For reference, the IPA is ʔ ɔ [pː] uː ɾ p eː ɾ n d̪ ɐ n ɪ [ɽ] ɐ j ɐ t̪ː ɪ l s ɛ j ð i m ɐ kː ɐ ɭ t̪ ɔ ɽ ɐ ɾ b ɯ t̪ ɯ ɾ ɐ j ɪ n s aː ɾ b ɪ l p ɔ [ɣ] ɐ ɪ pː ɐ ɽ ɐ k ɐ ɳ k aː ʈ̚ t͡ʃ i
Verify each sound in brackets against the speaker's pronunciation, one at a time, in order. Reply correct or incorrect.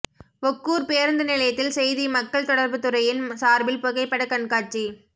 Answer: incorrect: kː, incorrect: l, correct

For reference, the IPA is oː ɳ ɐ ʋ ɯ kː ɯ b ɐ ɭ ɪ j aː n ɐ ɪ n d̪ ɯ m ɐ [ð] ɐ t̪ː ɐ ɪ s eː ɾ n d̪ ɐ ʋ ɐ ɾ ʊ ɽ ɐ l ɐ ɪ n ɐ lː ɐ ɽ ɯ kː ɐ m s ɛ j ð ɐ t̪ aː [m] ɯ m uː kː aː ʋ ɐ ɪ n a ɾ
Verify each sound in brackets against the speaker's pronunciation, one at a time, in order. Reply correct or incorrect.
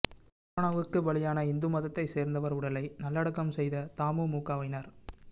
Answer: correct, correct

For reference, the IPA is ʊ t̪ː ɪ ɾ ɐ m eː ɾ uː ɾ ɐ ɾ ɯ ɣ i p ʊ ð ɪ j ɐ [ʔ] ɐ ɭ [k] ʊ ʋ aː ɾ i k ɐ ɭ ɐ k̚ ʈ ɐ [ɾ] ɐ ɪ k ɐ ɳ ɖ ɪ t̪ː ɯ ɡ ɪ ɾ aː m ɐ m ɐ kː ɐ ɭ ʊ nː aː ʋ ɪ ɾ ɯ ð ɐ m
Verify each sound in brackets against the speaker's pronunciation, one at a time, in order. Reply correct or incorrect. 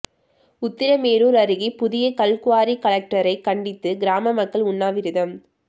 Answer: incorrect: k, correct, correct

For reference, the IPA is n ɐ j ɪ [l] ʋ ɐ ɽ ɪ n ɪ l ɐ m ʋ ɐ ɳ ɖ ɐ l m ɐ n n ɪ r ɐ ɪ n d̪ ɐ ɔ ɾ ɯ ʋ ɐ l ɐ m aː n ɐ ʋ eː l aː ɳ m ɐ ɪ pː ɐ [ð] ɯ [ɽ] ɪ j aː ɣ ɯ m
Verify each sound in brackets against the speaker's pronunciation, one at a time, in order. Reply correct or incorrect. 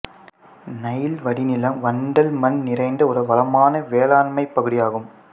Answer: correct, incorrect: ɣ, correct

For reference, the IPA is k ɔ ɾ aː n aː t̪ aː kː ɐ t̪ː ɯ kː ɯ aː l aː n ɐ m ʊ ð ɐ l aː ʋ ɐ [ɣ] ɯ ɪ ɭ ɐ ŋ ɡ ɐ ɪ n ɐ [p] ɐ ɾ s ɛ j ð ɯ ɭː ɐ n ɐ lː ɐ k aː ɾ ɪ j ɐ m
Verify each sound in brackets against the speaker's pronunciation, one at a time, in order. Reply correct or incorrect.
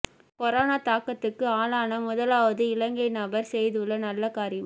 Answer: incorrect: ð, incorrect: b

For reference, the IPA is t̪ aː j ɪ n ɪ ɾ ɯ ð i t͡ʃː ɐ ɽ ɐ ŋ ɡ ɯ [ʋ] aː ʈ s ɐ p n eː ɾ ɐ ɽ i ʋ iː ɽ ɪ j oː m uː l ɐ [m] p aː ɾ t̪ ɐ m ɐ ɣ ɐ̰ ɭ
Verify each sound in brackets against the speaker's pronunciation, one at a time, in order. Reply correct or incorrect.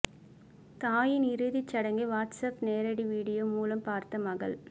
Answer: correct, correct

